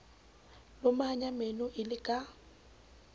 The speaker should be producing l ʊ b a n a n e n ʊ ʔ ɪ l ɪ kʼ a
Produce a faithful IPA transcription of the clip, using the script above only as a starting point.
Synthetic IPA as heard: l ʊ m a ɲ a m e n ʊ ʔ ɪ l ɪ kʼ a